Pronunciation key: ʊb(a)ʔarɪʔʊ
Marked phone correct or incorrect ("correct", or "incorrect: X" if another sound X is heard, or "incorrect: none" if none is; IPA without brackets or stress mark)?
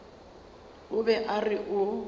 incorrect: ɛ